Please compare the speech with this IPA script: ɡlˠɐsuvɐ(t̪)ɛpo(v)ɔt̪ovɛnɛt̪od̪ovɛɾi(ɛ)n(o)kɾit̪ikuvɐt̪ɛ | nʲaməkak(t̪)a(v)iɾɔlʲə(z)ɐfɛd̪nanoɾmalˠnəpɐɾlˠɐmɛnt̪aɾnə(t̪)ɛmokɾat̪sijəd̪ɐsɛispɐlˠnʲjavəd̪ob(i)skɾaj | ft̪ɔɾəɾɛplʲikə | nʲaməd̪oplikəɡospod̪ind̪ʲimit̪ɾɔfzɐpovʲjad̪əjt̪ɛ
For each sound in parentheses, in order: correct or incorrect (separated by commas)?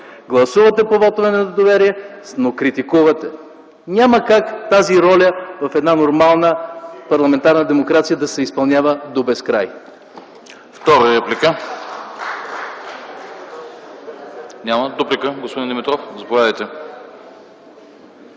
correct, correct, correct, correct, correct, incorrect, incorrect, incorrect, incorrect